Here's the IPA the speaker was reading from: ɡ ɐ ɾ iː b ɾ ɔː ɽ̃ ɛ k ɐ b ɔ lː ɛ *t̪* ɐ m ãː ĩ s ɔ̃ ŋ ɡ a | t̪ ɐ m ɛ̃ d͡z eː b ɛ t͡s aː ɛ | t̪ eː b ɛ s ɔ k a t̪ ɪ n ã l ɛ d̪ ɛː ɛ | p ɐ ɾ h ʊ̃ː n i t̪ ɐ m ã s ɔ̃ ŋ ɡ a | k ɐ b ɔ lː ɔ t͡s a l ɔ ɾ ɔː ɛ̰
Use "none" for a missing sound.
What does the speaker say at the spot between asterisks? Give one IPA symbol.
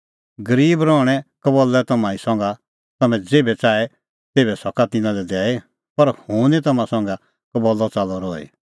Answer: t̪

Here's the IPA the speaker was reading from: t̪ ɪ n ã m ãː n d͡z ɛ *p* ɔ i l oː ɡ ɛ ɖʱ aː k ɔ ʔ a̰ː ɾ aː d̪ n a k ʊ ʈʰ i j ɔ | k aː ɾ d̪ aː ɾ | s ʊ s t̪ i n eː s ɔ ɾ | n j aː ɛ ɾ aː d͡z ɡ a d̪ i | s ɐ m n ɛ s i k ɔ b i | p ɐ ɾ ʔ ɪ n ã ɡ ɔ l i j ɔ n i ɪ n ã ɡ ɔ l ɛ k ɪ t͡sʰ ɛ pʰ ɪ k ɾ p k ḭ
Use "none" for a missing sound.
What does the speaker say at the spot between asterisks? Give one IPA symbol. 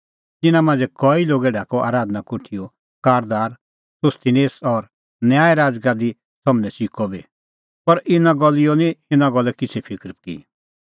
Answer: k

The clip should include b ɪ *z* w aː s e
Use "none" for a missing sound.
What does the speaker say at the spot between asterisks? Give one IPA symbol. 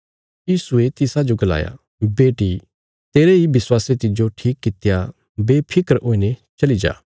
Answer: s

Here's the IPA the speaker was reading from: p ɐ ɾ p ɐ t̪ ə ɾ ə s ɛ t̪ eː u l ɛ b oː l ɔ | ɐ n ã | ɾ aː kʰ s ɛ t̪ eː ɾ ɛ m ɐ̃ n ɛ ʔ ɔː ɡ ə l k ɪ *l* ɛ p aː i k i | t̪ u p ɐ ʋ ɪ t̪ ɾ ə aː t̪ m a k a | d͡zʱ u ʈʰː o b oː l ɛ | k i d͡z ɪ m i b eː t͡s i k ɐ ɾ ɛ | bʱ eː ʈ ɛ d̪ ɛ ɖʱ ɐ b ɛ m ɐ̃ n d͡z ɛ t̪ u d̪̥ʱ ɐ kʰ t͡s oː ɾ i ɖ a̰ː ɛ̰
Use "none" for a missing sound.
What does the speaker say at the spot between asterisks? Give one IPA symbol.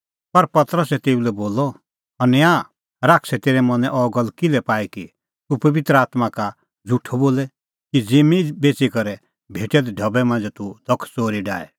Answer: l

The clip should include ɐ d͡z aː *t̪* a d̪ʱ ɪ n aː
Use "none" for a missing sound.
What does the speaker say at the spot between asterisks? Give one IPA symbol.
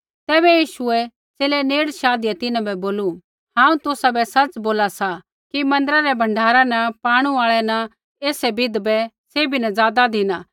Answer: d̪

